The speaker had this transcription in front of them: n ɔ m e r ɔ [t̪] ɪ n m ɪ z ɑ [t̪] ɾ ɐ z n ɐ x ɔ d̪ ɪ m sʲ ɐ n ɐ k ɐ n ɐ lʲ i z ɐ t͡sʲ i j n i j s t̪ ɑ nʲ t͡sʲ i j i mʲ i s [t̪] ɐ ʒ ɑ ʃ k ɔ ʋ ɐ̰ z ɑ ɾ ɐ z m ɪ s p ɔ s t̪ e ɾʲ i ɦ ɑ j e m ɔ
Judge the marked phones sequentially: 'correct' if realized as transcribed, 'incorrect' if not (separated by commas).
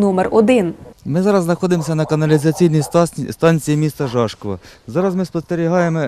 incorrect, incorrect, correct